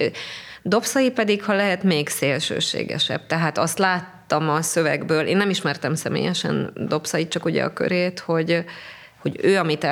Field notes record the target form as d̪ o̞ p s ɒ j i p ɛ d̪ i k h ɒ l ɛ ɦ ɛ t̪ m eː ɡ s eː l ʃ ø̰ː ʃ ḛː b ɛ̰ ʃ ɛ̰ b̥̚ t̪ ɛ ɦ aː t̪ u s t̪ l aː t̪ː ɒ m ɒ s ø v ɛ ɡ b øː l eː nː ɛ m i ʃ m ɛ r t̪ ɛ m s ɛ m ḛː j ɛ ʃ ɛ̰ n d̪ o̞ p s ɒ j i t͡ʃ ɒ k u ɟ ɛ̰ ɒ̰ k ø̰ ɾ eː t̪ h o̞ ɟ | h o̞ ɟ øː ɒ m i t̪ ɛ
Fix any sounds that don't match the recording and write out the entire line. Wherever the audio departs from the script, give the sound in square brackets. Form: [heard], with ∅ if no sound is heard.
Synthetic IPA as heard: d̪ o̞ p s ɒ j i p ɛ d̪ i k h ɒ l ɛ ɦ ɛ t̪ m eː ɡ s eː l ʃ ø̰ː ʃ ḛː [ɡ] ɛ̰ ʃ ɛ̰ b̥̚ t̪ ɛ ɦ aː t̪ [ɒ] s t̪ l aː t̪ː ɒ m ɒ s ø v ɛ ɡ b øː l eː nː ɛ m i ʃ m ɛ r t̪ ɛ m s ɛ m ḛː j ɛ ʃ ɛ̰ n d̪ o̞ p s ɒ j i t͡ʃ ɒ k u ɟ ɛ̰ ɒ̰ k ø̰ ɾ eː t̪ h o̞ ɟ | h o̞ ɟ øː ɒ m i t̪ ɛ